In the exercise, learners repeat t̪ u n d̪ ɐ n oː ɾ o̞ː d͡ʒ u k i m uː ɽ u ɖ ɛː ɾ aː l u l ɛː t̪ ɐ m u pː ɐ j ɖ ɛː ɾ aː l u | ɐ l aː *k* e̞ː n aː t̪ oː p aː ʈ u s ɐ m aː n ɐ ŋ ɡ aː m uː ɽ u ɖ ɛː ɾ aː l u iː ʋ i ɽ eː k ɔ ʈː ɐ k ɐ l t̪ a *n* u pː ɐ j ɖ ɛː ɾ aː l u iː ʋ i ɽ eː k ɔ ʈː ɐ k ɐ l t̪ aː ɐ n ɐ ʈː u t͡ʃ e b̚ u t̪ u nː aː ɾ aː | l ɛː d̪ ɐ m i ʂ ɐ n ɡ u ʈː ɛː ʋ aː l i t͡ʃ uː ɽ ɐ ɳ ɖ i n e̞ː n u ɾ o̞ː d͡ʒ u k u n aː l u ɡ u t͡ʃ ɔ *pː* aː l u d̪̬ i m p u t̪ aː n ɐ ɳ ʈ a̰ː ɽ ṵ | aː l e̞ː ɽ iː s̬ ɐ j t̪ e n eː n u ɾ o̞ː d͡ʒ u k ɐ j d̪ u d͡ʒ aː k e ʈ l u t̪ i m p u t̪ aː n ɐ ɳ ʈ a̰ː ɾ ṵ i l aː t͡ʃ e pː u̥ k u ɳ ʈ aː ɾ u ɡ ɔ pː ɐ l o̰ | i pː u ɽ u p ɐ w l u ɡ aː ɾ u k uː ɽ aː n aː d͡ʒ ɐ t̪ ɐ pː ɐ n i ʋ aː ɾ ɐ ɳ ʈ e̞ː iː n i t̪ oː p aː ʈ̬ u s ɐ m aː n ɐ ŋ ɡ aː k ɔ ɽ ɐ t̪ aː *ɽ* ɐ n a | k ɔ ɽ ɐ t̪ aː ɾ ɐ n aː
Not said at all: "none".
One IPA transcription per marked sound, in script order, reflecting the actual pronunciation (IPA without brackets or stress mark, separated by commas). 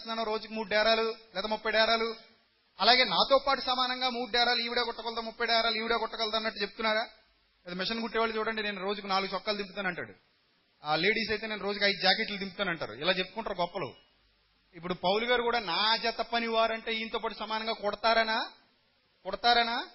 ɡ, m, kː, ɾ